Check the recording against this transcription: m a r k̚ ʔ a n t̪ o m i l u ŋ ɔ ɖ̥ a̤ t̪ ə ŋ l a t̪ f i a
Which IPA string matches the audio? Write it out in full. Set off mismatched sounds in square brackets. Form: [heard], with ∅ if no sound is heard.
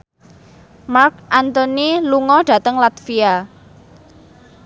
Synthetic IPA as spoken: m a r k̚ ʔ a n t̪ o [n] i l u ŋ ɔ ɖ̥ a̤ t̪ ə ŋ l a t̪ f i a